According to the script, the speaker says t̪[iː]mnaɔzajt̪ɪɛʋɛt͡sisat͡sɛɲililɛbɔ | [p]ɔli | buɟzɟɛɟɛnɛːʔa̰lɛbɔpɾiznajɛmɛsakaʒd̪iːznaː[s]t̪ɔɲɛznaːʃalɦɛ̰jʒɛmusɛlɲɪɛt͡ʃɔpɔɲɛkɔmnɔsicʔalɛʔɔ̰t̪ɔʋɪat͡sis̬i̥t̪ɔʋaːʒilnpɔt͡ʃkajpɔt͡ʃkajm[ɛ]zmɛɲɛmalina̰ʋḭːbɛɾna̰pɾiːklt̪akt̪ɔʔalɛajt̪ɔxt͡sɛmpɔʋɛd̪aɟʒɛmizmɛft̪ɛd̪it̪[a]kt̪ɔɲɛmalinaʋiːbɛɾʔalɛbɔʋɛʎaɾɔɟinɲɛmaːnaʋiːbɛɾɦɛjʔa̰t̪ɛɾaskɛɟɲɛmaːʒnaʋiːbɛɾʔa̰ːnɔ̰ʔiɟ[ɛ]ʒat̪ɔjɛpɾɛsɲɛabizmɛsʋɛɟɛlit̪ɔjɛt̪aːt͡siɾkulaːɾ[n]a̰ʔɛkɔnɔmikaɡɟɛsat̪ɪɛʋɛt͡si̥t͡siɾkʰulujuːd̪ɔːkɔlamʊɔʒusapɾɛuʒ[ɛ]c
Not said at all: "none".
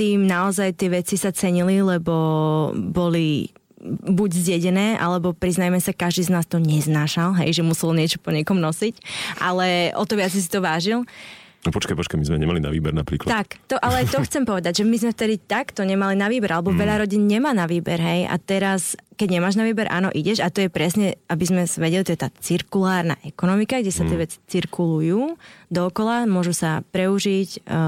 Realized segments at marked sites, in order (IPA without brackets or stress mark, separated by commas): iː, b, s, i, a, ɛ, n, i